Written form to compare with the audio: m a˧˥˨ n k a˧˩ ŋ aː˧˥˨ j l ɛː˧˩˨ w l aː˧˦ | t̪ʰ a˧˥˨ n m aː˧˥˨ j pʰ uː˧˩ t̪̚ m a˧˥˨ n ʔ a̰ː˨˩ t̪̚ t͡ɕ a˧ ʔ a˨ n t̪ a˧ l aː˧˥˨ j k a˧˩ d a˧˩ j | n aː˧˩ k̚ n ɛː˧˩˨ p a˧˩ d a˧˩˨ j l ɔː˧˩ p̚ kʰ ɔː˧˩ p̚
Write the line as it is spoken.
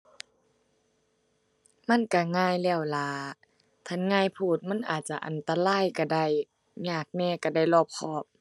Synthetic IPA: m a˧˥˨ n k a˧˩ ŋ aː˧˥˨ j l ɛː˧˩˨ w l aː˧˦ | t̪ʰ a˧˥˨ n ŋ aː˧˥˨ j pʰ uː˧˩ t̪̚ m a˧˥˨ n ʔ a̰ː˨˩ t̪̚ t͡ɕ a˧ ʔ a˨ n t̪ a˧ l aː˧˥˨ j k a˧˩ d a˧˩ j | ɲ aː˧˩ k̚ n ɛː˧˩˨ k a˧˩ d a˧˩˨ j l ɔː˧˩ p̚ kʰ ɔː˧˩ p̚